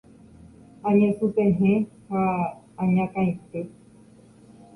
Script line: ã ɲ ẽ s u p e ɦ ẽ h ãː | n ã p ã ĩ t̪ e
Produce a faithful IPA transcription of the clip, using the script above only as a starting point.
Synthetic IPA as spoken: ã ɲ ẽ s u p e ɦ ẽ h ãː | ɲ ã k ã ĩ t̪ e